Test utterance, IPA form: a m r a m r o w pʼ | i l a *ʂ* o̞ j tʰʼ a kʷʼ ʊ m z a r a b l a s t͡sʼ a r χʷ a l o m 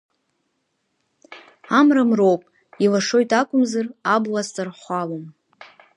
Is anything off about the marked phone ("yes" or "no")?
no